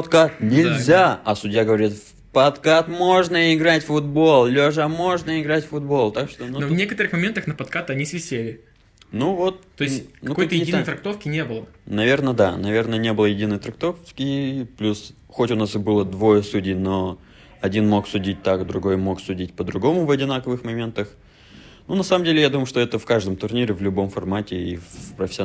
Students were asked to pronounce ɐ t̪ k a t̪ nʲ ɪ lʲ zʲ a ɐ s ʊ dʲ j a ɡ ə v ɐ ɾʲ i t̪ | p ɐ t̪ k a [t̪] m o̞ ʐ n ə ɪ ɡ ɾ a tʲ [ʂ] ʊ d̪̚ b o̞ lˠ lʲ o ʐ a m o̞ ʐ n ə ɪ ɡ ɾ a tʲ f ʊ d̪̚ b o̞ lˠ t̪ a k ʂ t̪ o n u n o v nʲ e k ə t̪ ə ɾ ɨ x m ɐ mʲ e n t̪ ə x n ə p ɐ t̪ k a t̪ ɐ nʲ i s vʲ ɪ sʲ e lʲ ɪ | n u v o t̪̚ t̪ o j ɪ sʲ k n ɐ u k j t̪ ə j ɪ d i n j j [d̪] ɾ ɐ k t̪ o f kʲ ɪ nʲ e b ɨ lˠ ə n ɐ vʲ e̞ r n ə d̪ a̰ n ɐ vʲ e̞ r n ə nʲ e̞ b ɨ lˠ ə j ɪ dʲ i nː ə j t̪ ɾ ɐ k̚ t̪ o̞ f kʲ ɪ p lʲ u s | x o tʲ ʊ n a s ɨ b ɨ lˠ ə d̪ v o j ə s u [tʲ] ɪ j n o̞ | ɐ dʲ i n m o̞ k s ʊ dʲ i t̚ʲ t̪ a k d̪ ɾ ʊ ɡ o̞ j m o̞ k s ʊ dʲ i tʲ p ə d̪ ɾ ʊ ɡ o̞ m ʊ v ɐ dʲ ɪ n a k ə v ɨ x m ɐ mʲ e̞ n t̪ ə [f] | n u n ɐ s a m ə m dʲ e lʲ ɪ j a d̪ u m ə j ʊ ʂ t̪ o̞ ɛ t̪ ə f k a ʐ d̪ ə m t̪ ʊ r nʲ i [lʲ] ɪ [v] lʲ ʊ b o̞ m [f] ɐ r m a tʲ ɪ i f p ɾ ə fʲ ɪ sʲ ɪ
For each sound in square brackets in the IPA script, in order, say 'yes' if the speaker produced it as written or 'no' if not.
yes, no, no, no, no, no, yes, yes

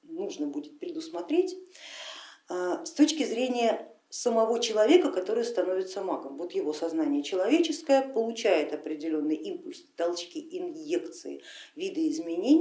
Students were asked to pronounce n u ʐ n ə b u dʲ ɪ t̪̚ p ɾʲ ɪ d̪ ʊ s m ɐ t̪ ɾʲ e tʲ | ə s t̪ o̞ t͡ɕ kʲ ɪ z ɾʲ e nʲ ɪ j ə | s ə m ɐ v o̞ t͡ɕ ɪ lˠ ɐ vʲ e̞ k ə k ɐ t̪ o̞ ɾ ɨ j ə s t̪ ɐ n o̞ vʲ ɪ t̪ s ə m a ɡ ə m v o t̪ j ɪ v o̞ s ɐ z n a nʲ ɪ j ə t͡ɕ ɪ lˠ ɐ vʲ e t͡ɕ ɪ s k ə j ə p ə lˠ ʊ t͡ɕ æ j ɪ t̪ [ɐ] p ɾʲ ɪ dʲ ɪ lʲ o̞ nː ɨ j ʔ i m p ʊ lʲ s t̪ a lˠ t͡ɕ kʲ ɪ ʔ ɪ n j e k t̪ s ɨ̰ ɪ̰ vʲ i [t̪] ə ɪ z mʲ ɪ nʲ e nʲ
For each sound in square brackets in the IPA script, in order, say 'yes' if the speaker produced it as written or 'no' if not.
yes, no

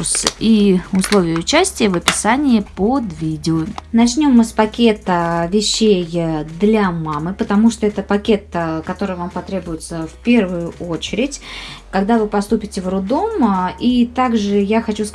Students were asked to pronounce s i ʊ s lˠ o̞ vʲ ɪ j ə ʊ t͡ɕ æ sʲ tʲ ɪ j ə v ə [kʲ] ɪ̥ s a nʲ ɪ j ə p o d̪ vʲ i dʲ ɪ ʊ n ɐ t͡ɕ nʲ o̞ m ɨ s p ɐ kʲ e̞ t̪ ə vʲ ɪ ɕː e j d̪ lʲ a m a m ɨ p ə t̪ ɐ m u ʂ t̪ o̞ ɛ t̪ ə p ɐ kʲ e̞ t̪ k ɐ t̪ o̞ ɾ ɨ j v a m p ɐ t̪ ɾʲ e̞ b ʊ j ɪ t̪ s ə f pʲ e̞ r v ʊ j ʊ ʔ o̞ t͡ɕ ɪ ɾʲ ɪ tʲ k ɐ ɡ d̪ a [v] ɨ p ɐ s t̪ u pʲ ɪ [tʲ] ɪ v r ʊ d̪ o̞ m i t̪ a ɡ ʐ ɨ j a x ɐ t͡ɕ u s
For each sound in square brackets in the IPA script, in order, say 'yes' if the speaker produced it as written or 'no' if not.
no, yes, yes

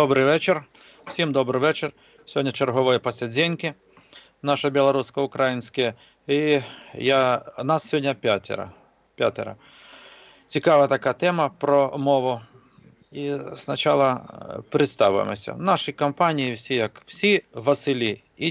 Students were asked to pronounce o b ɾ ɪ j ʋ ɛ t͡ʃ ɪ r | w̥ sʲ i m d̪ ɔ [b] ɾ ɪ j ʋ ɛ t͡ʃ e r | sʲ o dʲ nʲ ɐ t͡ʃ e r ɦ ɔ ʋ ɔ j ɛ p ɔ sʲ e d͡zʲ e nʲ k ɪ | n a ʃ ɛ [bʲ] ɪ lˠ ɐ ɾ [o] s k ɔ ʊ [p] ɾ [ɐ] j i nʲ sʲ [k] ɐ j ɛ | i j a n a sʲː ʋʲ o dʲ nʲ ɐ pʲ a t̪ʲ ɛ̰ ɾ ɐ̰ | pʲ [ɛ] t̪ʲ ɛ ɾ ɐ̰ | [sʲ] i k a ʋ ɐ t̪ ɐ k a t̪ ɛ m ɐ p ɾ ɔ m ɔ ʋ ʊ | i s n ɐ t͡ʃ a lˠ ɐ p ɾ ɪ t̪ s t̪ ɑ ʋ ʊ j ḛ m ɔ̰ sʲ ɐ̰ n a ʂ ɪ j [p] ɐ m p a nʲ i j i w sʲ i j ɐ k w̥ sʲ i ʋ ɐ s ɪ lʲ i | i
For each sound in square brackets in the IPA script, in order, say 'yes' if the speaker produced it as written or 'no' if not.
yes, yes, no, no, no, yes, no, no, no

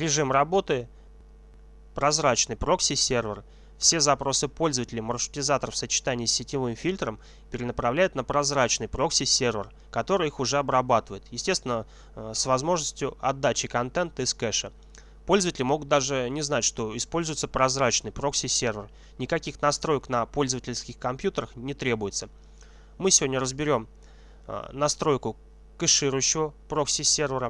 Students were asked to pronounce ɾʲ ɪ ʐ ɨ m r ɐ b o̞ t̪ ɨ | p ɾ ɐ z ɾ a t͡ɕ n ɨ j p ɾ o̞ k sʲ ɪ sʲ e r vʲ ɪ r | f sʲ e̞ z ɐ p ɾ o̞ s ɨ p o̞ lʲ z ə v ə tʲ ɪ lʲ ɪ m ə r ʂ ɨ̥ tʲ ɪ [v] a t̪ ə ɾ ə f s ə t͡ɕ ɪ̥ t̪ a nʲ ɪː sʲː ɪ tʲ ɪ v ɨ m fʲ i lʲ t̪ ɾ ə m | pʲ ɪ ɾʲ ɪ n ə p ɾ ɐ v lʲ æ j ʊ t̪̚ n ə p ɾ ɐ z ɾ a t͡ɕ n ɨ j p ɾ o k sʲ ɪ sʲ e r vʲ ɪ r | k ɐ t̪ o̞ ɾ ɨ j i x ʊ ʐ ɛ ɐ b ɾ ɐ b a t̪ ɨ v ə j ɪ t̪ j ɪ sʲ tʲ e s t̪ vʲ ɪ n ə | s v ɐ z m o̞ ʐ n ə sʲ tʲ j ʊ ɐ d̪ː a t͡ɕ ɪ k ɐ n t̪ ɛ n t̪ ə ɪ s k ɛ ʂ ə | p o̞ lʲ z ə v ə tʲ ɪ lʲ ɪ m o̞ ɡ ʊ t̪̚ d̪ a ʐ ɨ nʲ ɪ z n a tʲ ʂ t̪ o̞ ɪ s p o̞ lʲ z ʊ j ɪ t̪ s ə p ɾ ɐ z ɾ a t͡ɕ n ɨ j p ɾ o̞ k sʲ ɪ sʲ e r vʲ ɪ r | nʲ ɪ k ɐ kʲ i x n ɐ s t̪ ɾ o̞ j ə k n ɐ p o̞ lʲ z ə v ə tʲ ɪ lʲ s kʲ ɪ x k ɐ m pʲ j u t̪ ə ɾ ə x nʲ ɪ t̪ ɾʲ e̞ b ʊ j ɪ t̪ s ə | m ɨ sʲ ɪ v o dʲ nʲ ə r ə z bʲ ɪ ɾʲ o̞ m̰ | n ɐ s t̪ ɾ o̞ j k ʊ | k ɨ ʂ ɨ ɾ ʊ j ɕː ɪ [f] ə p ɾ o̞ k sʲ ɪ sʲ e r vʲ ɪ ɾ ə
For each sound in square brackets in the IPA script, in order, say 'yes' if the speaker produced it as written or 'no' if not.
no, no

